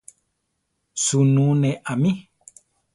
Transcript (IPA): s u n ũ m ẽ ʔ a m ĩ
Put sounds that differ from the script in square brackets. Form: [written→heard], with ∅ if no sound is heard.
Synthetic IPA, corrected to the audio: s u n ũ [m→n] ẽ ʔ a m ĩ